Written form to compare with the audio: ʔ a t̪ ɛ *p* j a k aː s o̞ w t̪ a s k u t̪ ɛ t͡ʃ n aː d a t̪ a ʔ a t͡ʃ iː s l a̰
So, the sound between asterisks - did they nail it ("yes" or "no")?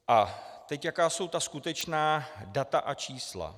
no